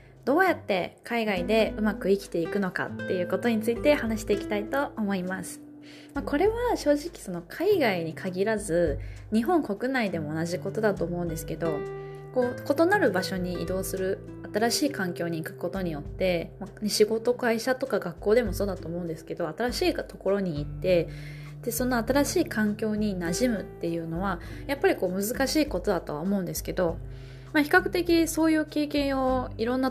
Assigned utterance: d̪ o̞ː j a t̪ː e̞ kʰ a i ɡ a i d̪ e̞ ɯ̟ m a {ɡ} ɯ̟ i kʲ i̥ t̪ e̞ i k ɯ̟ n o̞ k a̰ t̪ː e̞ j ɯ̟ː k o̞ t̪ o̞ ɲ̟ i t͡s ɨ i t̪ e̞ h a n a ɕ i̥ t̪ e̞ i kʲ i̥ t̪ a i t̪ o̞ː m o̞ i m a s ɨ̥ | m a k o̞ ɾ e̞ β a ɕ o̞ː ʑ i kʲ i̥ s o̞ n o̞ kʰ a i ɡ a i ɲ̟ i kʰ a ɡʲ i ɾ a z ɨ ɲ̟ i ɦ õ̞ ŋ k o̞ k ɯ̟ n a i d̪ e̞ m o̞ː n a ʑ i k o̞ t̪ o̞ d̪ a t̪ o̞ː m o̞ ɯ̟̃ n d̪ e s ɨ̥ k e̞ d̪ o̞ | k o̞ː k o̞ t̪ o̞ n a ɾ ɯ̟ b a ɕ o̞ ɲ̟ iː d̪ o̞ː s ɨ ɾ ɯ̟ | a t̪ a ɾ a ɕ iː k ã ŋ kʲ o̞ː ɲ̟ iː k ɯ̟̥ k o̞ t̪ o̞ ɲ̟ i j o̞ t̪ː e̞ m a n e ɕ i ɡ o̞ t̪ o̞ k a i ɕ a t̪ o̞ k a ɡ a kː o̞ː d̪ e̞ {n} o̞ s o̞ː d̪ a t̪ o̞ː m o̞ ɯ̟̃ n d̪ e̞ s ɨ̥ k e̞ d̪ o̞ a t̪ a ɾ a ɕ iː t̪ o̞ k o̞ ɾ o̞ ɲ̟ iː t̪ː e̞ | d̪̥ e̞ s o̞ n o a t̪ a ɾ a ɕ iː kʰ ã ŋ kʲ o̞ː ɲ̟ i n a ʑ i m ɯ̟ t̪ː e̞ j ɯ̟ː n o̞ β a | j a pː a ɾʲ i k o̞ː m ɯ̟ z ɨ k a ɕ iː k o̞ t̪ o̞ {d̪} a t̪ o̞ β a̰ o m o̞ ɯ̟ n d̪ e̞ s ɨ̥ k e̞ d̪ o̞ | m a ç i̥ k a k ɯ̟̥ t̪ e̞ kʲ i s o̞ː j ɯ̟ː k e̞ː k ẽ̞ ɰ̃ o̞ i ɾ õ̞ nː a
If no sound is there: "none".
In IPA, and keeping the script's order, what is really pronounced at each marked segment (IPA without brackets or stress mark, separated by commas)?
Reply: k, m, d̪